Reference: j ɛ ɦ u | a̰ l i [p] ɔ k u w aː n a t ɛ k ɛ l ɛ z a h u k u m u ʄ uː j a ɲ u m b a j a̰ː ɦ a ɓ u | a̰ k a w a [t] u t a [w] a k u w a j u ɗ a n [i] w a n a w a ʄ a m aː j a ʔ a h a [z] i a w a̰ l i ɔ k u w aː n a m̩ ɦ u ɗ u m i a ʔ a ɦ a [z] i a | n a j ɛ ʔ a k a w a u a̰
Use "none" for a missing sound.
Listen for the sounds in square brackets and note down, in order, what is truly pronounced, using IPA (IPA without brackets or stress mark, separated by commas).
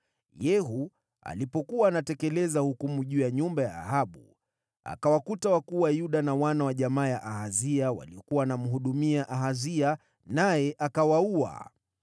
p, k, w, a, z, z